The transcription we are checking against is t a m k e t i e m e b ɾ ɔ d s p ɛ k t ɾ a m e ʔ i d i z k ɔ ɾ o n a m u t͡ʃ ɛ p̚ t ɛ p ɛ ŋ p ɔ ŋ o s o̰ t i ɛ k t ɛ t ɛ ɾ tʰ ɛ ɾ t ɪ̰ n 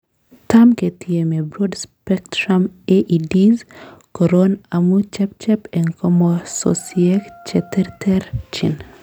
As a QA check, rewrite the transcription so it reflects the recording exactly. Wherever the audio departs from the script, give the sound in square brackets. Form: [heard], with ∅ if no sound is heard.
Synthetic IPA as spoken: t a m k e t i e m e b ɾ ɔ d s p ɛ k t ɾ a m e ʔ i d i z k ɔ ɾ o n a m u t͡ʃ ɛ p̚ [t͡ʃ] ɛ p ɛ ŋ [k] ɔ [m] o s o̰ [s] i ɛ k [t͡ʃ] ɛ t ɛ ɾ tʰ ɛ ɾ [t͡ʃ] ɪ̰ n